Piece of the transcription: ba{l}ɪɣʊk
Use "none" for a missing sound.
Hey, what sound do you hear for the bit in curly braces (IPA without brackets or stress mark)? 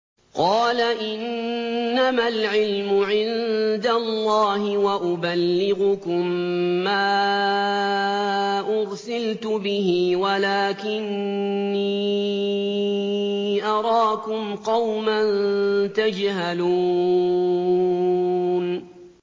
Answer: lː